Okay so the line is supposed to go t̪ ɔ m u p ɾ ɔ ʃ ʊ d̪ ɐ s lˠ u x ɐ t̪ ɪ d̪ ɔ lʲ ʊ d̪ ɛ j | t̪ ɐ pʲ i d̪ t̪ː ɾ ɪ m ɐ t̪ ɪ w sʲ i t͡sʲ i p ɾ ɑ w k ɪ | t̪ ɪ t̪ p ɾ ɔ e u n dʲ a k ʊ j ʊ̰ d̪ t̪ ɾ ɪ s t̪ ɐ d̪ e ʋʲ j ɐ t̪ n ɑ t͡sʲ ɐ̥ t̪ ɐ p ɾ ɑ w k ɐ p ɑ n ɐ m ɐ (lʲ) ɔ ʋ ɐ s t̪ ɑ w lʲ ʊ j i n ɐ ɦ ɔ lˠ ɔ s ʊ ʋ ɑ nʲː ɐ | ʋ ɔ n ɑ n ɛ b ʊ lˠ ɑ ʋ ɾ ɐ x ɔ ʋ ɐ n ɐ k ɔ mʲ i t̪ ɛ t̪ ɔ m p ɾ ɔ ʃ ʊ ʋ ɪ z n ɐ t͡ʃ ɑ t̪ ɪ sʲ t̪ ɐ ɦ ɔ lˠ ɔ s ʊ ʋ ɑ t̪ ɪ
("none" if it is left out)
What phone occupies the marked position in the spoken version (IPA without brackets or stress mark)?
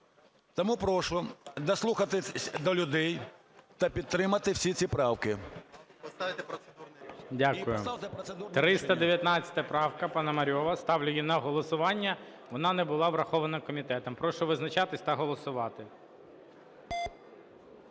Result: ɾʲ